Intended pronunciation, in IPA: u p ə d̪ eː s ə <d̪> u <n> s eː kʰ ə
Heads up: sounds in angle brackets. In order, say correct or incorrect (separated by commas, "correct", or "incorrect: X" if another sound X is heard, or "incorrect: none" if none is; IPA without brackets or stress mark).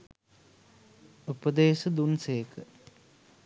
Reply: correct, correct